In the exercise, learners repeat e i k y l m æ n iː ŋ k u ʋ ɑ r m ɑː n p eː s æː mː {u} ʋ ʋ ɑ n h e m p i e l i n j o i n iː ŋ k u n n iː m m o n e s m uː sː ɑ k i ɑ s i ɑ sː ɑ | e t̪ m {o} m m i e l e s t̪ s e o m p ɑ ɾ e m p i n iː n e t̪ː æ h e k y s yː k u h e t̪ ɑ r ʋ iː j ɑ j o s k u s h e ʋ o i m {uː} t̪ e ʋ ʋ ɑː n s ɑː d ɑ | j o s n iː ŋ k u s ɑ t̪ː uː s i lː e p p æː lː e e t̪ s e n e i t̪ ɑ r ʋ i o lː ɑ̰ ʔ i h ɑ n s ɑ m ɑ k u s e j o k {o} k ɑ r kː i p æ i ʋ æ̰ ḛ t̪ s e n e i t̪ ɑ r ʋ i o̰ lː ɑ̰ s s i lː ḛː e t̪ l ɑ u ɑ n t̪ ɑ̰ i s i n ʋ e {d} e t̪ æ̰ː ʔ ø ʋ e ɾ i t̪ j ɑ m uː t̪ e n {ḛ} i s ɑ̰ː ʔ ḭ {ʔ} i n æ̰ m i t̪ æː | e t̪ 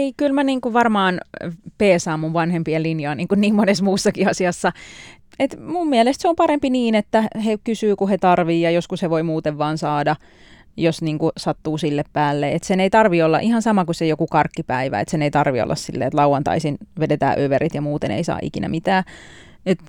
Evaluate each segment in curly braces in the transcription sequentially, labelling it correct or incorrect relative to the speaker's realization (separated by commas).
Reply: correct, incorrect, correct, incorrect, correct, correct, incorrect